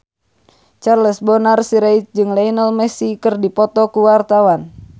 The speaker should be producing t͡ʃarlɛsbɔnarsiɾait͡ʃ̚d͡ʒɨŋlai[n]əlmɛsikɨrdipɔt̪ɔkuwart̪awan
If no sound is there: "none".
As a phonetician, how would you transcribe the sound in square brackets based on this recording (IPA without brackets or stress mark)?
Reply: n